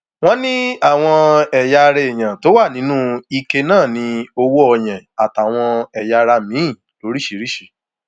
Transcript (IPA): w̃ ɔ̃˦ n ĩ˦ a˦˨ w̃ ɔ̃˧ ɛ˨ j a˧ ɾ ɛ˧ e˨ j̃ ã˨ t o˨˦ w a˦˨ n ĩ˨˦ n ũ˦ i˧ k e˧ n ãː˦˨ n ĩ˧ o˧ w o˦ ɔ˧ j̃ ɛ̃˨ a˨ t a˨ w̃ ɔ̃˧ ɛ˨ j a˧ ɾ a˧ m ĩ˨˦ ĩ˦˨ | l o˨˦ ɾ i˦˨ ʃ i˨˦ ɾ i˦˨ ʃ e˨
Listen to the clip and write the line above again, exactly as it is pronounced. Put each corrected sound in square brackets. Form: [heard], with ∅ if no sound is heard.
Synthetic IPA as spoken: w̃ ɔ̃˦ n ĩ˦ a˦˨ w̃ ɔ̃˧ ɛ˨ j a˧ ɾ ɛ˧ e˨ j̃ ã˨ t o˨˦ w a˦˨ n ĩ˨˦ n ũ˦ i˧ k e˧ n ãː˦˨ n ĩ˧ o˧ w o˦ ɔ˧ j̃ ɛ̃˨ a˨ t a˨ w̃ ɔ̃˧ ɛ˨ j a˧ ɾ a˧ m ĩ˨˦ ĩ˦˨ | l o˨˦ ɾ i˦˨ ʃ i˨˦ ɾ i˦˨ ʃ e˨

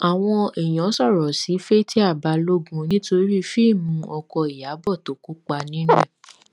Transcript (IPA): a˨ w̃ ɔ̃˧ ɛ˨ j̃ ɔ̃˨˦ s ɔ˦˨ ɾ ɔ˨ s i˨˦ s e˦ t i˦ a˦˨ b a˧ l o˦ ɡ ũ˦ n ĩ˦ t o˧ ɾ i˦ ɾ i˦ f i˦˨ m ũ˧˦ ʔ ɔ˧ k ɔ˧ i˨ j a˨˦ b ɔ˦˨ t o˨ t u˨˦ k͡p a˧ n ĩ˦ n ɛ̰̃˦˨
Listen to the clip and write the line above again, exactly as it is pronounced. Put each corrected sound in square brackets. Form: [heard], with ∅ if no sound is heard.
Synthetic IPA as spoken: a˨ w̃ ɔ̃˧ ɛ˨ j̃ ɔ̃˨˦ s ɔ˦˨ ɾ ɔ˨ s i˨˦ [f] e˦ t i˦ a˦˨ b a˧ l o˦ ɡ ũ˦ n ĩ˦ t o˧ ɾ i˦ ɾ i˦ f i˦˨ m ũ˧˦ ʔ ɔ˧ k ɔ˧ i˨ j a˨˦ b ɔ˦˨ t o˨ [k] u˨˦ k͡p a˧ n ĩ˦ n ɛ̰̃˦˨

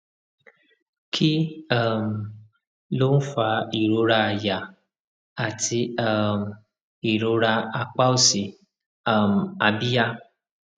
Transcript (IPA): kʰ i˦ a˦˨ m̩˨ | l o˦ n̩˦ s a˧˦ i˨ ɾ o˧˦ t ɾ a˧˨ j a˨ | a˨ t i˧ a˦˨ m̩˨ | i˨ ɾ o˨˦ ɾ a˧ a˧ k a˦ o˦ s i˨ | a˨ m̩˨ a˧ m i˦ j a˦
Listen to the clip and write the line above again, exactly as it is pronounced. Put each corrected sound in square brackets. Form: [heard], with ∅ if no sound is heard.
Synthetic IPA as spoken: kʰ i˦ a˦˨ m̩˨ | l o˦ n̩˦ [f] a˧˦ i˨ ɾ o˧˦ [∅] ɾ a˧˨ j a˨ | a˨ t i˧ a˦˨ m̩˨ | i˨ ɾ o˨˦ ɾ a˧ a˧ [k͡p] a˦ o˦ s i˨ | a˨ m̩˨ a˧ [b] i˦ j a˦

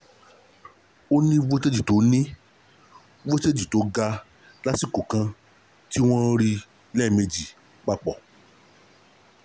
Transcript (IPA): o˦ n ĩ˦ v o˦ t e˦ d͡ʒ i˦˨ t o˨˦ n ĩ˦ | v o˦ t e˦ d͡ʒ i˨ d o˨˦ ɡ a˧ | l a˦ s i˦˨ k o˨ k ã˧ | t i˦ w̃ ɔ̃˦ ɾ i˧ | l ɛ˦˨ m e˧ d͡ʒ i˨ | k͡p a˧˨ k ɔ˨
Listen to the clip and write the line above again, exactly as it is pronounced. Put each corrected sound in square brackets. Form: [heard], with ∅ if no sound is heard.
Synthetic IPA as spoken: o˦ n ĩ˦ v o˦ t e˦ d͡ʒ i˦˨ t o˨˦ n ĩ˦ | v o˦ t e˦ d͡ʒ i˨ [t] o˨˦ ɡ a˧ | l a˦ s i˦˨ k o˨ k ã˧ | t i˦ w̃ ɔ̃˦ ɾ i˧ | l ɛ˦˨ m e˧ d͡ʒ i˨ | k͡p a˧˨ [k͡p] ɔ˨

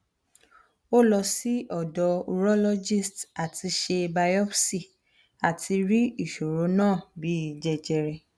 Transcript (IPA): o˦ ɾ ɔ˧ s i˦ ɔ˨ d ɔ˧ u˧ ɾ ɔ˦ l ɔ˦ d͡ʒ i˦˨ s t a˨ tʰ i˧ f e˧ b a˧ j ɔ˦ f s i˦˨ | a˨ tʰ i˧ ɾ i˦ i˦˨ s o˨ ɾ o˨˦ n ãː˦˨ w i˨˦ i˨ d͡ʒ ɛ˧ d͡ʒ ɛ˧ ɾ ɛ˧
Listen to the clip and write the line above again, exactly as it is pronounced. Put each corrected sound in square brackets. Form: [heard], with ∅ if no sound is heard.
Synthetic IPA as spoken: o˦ [l] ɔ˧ s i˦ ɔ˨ d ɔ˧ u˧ ɾ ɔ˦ l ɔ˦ d͡ʒ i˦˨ s t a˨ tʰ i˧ [ʃ] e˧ b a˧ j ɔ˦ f s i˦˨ | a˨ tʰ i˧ ɾ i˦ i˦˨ [ʃ] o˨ ɾ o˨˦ n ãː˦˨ [b] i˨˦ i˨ d͡ʒ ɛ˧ d͡ʒ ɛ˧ ɾ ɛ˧

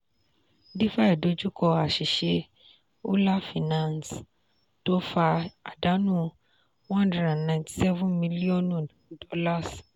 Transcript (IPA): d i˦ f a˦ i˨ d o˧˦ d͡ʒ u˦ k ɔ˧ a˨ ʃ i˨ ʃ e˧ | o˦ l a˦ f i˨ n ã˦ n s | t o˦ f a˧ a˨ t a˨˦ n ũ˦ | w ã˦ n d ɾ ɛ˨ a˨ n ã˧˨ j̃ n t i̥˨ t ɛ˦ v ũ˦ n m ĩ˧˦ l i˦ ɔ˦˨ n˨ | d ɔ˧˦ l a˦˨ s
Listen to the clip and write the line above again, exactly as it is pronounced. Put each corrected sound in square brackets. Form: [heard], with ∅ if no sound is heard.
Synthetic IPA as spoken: d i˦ f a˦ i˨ d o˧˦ d͡ʒ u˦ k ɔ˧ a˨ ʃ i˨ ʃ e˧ | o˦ l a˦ f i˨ n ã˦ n s | t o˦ f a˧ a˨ [d] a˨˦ n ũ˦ | w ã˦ n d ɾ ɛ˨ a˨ n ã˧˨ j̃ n t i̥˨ [s] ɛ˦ v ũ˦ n m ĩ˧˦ l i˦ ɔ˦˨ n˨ | d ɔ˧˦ l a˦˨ s

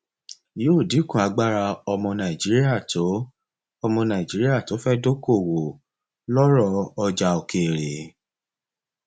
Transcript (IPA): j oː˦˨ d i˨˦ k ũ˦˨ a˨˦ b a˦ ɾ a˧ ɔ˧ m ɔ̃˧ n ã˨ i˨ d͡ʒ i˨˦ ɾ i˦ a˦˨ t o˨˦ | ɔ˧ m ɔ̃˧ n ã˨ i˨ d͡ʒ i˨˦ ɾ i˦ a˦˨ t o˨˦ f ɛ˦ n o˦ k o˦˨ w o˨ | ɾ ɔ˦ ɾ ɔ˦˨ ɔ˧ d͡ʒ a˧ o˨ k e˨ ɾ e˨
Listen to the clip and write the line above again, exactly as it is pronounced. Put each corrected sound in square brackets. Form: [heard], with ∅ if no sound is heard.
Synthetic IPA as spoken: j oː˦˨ d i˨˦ k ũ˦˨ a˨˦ [ɡ͡b] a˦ ɾ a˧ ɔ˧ m ɔ̃˧ n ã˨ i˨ d͡ʒ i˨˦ ɾ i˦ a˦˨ t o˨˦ | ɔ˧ m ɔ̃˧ n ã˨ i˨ d͡ʒ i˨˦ ɾ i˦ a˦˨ t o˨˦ f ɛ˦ [d] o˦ k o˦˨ w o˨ | [l] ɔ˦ ɾ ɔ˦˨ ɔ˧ d͡ʒ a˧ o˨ k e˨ ɾ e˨

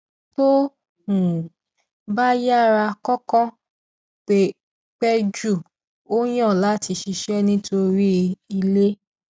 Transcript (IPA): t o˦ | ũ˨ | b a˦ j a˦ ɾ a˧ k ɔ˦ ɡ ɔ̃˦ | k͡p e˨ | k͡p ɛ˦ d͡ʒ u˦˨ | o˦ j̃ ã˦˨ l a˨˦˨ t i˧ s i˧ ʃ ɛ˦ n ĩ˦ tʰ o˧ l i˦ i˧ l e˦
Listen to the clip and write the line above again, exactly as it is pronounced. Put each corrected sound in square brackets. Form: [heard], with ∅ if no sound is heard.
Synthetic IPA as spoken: t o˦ | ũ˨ | b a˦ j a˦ ɾ a˧ k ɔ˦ [k] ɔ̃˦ | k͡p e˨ | k͡p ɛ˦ d͡ʒ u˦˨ | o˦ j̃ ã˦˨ l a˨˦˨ t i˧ [ʃ] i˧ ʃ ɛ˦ n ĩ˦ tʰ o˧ [ɾ] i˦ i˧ l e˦

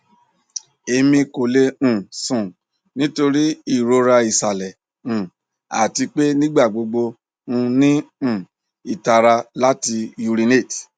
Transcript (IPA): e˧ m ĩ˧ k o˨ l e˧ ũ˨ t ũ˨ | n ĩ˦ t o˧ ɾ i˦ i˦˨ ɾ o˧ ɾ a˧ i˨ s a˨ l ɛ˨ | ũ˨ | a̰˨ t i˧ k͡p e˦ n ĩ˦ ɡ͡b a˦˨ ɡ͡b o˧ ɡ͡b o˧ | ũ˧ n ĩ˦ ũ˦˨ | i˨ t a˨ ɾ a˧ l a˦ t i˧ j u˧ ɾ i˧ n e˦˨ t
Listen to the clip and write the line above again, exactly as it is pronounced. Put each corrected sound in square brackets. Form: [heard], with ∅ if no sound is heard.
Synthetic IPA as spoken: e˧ m ĩ˧ k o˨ l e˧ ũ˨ [s] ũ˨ | n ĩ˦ t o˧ ɾ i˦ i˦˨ ɾ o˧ ɾ a˧ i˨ s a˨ l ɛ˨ | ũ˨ | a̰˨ t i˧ k͡p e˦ n ĩ˦ ɡ͡b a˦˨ ɡ͡b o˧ ɡ͡b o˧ | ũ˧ n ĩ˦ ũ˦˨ | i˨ t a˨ ɾ a˧ l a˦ t i˧ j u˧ ɾ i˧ n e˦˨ t

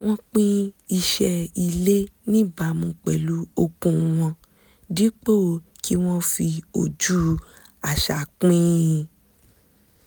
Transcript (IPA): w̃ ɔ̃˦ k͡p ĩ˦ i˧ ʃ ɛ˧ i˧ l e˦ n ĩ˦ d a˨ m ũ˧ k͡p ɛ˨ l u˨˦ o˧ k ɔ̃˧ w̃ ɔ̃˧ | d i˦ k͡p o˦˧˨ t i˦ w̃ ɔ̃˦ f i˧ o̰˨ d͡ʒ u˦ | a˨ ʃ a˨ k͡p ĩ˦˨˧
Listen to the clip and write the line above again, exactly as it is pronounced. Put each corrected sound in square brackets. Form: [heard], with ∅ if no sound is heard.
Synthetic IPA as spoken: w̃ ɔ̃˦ k͡p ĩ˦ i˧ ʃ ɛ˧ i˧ l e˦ n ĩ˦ [b] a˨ m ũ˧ k͡p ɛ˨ l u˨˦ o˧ k [ũ˧] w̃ ɔ̃˧ | d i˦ k͡p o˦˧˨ [k] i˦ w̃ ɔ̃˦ f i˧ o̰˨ d͡ʒ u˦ | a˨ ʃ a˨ k͡p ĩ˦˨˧

